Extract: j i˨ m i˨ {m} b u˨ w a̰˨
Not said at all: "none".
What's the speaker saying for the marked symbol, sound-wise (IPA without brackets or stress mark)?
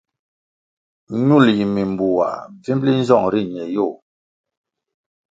m